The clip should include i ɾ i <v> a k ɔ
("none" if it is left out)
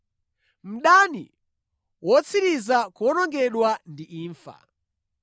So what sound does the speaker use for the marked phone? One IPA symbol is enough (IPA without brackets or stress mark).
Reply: z